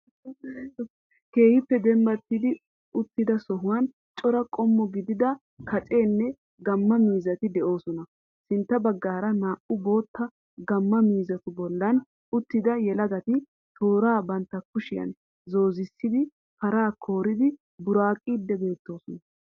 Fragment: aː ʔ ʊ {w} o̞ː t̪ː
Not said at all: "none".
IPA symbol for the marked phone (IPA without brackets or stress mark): b